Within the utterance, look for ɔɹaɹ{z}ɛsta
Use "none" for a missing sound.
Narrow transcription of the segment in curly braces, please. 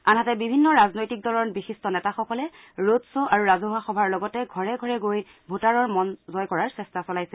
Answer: s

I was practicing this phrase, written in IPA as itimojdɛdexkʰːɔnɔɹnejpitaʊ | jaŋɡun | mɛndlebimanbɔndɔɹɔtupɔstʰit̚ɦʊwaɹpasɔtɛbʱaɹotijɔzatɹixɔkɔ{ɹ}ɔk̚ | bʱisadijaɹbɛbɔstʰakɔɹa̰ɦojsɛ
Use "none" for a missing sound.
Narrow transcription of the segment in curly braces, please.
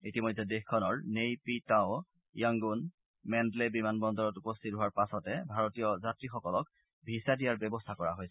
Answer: l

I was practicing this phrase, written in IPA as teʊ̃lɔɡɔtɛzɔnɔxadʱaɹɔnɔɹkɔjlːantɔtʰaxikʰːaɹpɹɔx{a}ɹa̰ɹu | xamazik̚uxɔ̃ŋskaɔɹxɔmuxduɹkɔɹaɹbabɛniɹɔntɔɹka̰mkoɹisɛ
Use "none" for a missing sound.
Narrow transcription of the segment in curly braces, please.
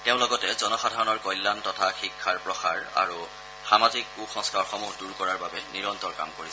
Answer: a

